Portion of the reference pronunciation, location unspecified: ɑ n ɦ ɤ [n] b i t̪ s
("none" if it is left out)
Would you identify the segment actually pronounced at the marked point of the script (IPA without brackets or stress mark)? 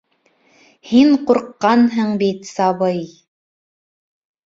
ɴ